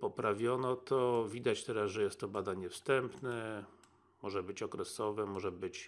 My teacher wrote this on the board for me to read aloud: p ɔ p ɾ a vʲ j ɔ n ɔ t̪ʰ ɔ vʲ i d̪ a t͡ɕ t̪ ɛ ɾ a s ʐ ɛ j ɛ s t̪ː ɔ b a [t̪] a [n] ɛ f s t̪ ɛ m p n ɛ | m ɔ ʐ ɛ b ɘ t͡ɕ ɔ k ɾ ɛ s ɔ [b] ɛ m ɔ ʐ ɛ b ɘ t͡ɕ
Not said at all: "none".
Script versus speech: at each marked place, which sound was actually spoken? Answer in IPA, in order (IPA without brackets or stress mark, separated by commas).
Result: d̪, ɲ, v